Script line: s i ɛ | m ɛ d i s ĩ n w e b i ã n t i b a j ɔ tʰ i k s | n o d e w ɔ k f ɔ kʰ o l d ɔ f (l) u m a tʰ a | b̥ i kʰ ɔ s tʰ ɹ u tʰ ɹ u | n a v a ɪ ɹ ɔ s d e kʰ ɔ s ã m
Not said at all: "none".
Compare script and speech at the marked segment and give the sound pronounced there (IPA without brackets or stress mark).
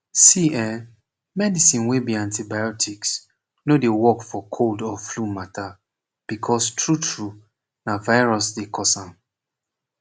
l